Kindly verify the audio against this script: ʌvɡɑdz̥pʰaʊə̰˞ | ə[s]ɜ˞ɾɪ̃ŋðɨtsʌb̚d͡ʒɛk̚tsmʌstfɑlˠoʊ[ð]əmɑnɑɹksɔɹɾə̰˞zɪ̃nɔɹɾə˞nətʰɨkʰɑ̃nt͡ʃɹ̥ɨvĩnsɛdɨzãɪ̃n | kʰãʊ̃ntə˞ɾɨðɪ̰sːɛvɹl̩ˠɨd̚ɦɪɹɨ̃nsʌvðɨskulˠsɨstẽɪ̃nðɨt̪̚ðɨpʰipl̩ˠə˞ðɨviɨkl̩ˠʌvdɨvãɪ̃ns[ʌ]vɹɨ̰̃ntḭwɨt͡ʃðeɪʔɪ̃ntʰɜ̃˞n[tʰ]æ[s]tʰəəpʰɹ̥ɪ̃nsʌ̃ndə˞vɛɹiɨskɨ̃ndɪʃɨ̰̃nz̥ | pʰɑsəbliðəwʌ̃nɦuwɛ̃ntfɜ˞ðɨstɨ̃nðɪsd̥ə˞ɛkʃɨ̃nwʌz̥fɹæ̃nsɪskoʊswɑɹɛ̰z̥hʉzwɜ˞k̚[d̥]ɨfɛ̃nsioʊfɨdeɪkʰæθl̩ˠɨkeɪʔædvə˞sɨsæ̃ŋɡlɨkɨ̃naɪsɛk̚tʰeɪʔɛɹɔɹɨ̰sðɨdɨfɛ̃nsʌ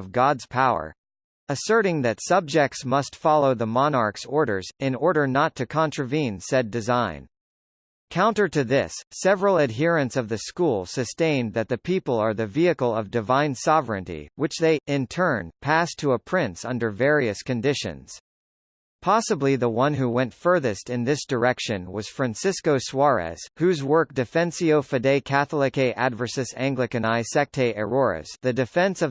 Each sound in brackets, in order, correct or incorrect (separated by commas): correct, correct, incorrect, incorrect, correct, correct